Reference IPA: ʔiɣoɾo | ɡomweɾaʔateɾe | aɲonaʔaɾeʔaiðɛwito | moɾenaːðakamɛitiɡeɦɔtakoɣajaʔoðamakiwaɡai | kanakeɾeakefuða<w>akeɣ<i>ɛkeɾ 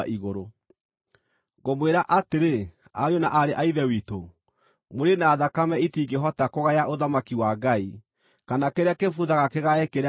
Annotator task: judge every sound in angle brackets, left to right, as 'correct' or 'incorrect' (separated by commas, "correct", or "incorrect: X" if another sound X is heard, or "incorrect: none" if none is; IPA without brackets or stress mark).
incorrect: ɣ, incorrect: a